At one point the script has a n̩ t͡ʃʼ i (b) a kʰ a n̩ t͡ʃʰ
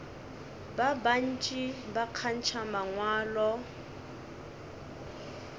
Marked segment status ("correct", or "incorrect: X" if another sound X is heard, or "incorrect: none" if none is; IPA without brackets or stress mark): correct